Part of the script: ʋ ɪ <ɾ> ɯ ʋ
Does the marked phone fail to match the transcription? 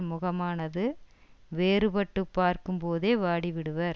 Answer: yes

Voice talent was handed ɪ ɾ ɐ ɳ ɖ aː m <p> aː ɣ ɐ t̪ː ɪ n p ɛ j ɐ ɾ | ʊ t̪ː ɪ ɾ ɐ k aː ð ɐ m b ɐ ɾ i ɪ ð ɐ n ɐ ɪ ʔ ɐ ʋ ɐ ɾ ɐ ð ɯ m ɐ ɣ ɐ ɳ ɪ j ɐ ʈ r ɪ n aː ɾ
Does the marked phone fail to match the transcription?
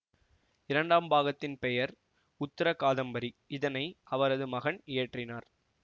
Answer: yes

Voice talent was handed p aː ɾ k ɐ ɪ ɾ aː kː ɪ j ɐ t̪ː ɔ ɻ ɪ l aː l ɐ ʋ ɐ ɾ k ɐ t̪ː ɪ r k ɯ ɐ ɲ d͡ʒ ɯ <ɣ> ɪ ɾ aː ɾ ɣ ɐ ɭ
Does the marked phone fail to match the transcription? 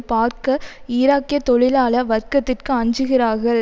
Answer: no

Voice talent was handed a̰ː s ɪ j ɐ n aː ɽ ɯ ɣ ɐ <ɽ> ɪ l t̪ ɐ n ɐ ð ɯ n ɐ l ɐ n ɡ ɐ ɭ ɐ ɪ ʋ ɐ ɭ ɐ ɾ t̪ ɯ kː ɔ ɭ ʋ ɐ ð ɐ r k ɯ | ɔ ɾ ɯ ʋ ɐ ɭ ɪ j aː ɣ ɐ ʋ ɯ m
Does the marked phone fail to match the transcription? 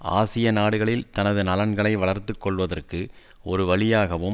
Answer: yes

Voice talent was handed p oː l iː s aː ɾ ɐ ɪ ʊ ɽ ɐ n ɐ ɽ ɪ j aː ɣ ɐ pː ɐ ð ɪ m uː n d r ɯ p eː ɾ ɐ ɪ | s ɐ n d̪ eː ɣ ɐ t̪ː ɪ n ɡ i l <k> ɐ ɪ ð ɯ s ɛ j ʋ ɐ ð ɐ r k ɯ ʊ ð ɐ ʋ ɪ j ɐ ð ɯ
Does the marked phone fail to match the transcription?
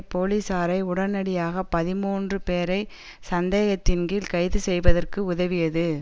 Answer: no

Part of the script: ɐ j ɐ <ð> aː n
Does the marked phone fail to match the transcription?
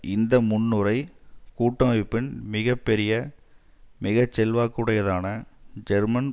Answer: no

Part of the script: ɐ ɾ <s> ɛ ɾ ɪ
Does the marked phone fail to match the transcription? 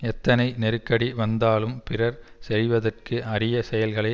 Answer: no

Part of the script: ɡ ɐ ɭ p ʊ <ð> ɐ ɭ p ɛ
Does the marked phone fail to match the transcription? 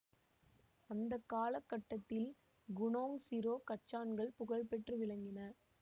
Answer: yes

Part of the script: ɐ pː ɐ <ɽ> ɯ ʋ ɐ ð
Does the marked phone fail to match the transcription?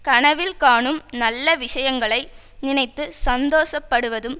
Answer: no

